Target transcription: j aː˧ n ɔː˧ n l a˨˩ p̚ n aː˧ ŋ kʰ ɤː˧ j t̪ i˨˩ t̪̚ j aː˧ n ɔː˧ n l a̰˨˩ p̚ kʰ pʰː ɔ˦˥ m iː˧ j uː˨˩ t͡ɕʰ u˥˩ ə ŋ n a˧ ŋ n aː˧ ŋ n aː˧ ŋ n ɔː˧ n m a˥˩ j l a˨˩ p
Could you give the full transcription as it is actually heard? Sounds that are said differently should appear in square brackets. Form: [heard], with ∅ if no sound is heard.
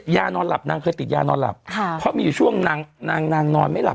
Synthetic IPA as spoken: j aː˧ n ɔː˧ n l a˨˩ p̚ n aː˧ ŋ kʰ ɤː˧ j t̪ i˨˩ t̪̚ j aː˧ n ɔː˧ n l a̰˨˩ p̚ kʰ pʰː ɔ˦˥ m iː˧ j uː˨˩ t͡ɕʰ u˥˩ ə ŋ n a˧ ŋ n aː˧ ŋ n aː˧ ŋ n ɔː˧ n m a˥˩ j l a˨˩ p